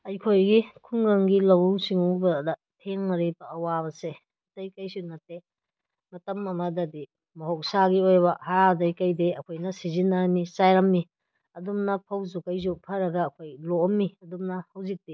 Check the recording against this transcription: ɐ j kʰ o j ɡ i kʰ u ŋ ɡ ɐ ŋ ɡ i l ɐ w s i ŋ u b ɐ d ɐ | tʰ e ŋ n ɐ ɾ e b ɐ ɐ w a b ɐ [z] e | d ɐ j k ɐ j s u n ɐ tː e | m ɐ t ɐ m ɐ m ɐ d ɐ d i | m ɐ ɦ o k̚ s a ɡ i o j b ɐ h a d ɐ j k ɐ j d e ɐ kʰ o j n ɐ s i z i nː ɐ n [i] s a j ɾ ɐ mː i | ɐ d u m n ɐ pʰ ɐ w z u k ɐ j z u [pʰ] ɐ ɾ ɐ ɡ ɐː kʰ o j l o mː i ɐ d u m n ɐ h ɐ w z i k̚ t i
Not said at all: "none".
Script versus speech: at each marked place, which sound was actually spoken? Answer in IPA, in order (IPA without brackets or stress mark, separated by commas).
s, i, pʰ